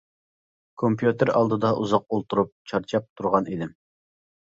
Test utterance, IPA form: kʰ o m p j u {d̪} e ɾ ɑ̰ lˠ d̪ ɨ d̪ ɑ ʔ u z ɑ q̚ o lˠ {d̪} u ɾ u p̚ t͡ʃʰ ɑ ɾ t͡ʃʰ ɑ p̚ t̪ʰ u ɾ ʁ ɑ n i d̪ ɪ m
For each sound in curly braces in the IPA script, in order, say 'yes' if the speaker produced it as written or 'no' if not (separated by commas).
no, no